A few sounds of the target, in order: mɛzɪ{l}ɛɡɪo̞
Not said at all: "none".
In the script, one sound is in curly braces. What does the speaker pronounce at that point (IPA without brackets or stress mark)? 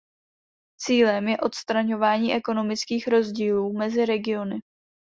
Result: ɾ